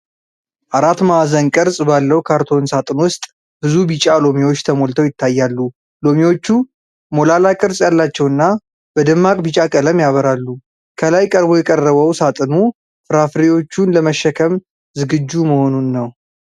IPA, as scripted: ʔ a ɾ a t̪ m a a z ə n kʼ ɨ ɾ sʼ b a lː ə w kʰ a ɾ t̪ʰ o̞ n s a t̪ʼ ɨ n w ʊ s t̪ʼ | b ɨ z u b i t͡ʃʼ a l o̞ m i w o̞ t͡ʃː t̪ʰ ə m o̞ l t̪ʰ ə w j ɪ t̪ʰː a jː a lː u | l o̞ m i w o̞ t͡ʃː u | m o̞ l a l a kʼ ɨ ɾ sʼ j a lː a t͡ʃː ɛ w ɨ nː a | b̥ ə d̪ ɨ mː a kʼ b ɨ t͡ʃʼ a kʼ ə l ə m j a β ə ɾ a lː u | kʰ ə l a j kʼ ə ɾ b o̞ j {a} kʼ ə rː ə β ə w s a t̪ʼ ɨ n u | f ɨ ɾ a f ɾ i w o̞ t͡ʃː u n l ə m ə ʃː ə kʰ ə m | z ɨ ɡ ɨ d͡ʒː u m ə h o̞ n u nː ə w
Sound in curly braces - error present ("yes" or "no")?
yes